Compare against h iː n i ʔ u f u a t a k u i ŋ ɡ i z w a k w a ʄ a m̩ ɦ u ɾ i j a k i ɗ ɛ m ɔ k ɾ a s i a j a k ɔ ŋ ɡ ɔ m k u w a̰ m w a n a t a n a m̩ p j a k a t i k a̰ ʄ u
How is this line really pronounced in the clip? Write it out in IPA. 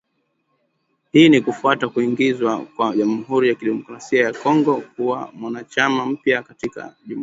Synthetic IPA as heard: h iː n i k u f u a t a k u i ŋ ɡ i z w a k w a ʄ a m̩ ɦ u ɾ i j a k i ɗ ɛ m ɔ k ɾ a s i a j a k ɔ ŋ ɡ ɔ k u w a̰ m w a n a t͡ʃ a m a m̩ p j a k a t i k a̰ ʄ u